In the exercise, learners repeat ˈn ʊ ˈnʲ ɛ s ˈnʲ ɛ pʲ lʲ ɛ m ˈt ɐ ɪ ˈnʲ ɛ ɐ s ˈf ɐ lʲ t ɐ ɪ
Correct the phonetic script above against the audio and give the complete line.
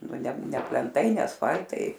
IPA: ˈn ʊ ˈnʲ ɛ ˈnʲ ɛ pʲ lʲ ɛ n ˈt ɐ ɪ ˈnʲ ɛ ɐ s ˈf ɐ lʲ t ɐ ɪ

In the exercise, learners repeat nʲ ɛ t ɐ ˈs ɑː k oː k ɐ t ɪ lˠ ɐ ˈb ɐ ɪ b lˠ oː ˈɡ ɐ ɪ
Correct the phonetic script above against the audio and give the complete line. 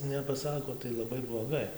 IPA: nʲ ɛ p ɐ ˈs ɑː k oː t ɐ ɪ lˠ ɐ ˈb ɐ ɪ b lˠ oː ˈɡ ɐ ɪ

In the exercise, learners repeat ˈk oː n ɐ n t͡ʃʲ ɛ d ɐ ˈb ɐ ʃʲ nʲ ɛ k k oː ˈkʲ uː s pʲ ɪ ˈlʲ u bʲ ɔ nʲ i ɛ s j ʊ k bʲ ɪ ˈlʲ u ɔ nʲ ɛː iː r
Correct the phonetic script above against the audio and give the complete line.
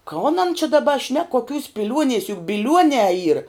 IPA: ˈk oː n ɐ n t͡ʃʲ ɛ d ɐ ˈb ɐ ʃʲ nʲ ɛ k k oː ˈkʲ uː s pʲ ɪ ˈlʲ u ɔ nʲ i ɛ s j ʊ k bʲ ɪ ˈlʲ u ɔ nʲ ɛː iː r

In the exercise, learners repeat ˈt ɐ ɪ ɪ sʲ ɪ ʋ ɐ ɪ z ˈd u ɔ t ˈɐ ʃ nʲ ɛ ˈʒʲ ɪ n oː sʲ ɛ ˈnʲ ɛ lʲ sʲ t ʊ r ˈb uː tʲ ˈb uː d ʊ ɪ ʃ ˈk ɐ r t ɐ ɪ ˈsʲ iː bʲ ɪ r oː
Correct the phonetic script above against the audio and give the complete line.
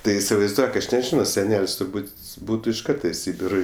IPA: ˈt ɐ ɪ ɪ sʲ ɪ ʋ ɐ ɪ z ˈd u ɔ k ˈɐ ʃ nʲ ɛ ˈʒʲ ɪ n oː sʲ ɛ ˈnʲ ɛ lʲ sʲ t ʊ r ˈb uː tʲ ˈb uː t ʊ ɪ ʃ ˈk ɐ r t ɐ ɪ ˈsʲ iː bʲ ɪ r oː

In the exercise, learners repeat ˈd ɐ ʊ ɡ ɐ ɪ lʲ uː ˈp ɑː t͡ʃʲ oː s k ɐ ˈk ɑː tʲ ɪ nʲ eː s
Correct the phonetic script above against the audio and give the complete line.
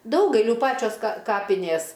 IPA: ˈd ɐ ʊ ɡ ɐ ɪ lʲ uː ˈp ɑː t͡ʃʲ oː s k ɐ ˈk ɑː pʲ ɪ nʲ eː s

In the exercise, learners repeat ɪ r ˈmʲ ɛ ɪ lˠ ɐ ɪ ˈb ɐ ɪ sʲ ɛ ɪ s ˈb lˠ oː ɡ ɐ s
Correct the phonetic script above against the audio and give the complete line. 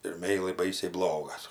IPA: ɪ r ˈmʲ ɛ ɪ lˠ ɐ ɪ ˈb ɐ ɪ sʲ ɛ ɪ ˈb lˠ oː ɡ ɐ s

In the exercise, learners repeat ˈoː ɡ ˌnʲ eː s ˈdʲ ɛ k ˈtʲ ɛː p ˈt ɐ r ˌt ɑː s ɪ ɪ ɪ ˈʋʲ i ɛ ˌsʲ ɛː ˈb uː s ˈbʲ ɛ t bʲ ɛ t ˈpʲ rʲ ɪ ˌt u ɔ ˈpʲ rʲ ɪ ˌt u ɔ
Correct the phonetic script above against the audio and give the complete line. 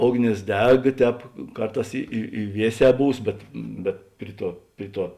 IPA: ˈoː ɡ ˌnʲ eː s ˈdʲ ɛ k ˈtʲ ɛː p ˈk ɐ r ˌt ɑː s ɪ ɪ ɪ ˈʋʲ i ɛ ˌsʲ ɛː ˈb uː s ˈbʲ ɛ t bʲ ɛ t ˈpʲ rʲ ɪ ˌt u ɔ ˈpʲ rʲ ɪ ˌt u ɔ

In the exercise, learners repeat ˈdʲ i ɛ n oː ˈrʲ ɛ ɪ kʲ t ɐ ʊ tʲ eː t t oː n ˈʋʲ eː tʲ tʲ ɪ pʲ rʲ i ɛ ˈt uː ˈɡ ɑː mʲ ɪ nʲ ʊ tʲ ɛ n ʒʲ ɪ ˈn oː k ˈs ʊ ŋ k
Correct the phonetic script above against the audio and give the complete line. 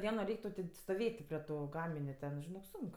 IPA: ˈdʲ i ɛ n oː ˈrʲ ɛ ɪ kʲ t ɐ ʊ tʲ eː s t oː ˈʋʲ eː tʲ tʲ ɪ pʲ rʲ i ɛ ˈt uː ˈɡ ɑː mʲ ɪ nʲ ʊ tʲ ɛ n ʒʲ ɪ ˈn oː k ˈs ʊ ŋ k

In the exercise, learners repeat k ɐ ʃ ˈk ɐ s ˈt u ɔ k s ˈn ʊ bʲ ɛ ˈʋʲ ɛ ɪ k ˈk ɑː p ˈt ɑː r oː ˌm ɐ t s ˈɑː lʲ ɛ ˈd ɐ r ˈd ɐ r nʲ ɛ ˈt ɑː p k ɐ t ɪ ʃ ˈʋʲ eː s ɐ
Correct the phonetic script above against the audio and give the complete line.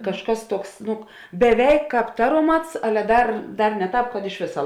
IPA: k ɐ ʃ ˈk ɐ s ˈt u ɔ k s ˈn ʊ bʲ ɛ ˈʋʲ ɛ ɪ k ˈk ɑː p ˈt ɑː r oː ˌm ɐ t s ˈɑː lʲ ɛ ˈd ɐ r ˈd ɐ r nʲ ɛ ˈt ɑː p k ɐ t ɪ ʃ ˈʋʲ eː s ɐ

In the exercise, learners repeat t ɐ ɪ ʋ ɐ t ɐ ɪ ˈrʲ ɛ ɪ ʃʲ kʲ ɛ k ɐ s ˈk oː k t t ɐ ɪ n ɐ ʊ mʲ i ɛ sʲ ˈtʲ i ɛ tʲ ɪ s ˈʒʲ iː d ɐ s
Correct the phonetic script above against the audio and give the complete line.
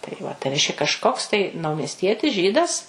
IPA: t ɐ ɪ ʋ ɐ t ɐ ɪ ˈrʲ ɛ ɪ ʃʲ kʲ ɛ k ɐ ʃ ˈk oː k s t ɐ ɪ n ɐ ʊ mʲ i ɛ sʲ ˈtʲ i ɛ tʲ ɪ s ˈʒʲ iː d ɐ s

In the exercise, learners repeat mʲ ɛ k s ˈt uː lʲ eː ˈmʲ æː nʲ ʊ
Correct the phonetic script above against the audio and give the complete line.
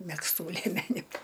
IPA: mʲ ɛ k s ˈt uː lʲ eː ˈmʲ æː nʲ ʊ

